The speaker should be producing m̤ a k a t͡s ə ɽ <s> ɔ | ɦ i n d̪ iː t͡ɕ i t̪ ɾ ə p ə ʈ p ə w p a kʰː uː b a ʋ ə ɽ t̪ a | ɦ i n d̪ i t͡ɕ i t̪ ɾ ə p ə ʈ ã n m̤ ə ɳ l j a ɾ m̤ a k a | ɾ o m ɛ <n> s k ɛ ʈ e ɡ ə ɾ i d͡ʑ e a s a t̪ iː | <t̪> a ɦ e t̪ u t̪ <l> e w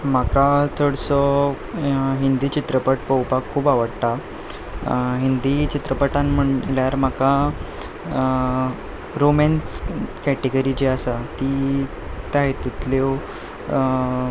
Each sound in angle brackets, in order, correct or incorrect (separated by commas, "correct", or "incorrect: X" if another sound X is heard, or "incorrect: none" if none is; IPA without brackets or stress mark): correct, correct, correct, correct